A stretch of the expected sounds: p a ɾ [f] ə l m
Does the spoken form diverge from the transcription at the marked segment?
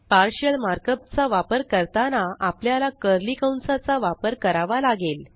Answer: yes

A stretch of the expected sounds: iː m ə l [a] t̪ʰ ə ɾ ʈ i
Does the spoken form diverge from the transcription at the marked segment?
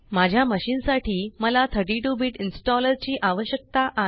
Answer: no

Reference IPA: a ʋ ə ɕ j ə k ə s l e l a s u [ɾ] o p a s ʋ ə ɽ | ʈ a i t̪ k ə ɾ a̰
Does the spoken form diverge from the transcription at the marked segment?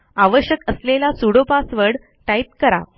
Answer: yes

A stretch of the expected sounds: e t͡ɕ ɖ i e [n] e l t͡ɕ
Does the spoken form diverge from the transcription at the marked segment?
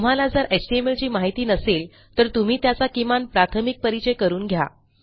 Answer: yes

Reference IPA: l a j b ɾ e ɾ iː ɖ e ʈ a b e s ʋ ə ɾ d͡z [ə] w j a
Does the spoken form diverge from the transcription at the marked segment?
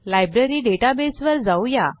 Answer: yes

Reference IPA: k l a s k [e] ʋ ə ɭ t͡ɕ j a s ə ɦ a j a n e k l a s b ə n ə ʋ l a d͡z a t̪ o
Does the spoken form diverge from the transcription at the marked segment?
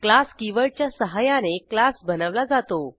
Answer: yes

